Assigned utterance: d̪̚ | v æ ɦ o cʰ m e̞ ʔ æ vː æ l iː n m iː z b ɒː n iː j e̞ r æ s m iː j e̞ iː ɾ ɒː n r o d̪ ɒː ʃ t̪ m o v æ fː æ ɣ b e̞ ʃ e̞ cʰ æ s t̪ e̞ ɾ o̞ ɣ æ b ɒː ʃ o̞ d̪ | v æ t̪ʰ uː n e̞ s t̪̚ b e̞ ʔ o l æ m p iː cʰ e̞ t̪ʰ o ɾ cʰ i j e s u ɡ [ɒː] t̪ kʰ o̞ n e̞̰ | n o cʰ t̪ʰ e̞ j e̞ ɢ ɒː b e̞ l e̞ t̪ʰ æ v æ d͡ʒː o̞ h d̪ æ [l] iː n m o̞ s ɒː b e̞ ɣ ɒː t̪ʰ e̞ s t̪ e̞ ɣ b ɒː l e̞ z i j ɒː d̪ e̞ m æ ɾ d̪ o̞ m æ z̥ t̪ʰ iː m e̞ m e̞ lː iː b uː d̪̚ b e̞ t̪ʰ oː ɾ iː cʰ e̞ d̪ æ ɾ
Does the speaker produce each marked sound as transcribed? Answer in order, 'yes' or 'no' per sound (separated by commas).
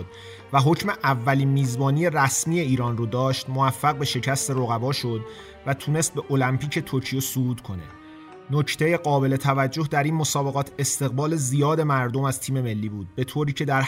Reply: no, no